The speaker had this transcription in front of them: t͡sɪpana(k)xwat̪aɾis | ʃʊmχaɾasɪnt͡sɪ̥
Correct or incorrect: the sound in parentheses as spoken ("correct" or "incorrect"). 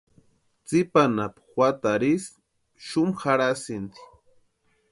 incorrect